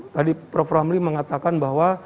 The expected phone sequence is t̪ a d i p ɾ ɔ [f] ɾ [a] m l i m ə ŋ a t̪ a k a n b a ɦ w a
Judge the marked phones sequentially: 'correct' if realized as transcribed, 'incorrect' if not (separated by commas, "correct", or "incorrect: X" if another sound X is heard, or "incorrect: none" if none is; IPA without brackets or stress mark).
correct, correct